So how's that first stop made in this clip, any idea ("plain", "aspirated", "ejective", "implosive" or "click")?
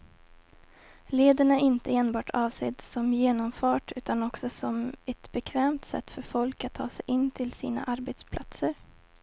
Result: plain